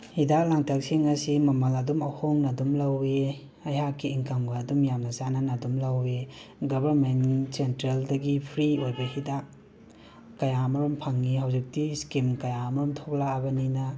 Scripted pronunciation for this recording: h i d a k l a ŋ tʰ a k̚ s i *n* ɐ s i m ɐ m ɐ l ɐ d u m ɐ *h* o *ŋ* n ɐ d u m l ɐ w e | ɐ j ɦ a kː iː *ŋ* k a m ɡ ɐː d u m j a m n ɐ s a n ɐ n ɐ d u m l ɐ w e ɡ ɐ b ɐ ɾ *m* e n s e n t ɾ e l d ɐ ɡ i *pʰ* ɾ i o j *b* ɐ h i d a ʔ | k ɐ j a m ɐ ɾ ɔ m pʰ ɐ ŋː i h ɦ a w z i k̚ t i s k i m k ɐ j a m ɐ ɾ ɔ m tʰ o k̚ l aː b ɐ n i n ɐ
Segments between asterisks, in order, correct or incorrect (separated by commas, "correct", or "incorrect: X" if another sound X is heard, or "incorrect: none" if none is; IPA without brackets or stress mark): incorrect: ŋ, correct, correct, correct, correct, correct, correct